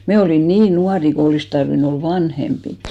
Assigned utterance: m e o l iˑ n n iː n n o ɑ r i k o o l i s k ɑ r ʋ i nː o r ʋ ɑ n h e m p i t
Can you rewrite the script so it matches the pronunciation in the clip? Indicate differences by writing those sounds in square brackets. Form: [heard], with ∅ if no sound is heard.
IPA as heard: m e o l iˑ n n iː n n [u] ɑ r i k o o l i s [t] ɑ r ʋ i [n] o [l] ʋ ɑ n h e m p i t